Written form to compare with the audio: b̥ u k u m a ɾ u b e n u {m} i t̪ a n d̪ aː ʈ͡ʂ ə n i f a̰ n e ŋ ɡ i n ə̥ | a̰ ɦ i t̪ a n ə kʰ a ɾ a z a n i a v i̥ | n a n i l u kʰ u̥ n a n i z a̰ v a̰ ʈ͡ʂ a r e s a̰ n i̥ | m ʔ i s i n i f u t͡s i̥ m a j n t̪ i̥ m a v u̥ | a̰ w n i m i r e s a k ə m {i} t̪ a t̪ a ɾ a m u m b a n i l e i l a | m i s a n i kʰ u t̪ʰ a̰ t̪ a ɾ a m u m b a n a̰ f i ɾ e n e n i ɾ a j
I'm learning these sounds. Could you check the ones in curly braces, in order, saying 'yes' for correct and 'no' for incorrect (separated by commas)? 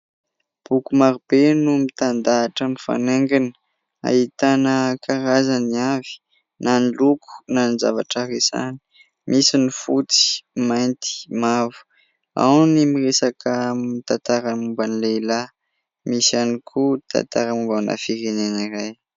yes, yes